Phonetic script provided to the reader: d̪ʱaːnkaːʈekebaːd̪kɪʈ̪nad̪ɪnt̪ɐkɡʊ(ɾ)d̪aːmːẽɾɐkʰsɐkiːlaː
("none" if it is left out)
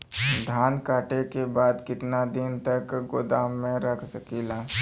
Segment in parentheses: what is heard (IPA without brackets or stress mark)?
none